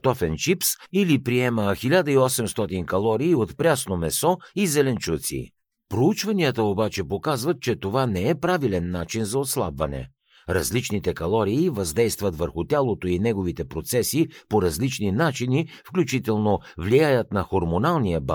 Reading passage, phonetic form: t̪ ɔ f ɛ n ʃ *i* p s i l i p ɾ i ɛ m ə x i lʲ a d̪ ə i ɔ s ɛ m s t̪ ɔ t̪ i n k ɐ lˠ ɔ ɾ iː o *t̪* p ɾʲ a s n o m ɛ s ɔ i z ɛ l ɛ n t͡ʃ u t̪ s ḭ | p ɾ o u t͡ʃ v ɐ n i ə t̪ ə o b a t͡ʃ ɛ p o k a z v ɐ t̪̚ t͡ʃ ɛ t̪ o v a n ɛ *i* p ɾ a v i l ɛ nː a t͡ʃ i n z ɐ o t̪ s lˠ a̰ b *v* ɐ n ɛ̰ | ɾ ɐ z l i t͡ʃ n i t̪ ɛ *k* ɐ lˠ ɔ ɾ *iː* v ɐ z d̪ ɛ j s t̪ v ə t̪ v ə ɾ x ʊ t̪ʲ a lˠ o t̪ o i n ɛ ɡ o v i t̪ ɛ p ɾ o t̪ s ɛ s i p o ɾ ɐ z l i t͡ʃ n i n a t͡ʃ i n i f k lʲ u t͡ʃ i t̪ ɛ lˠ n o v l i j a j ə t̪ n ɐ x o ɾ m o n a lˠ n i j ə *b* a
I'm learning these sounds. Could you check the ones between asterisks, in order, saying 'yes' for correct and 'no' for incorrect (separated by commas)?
yes, yes, no, yes, yes, yes, yes